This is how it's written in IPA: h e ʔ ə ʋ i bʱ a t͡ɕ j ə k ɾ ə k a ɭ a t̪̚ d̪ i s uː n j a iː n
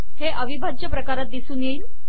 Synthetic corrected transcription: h e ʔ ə ʋ i bʱ a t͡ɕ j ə p ɾ ə k a ɾ a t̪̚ d̪ i s uː n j e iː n